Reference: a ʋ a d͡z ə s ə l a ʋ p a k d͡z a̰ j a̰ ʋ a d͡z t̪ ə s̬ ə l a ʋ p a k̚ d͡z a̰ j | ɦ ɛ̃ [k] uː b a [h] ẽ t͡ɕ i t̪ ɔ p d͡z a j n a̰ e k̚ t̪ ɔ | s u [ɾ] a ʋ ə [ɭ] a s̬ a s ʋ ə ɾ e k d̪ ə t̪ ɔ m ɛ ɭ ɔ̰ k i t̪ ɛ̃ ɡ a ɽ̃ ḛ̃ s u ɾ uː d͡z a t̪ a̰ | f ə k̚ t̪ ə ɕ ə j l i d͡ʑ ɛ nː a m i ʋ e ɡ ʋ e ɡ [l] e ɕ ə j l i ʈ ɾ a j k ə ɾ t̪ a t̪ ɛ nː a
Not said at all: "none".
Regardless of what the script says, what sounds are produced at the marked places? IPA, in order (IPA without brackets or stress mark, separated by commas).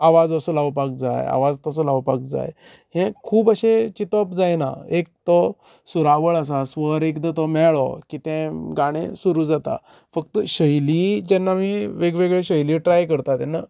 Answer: kʰ, ɕ, ɾ, ɭ, ɭ